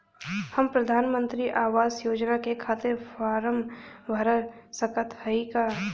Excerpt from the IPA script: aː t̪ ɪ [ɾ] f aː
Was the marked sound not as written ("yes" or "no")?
no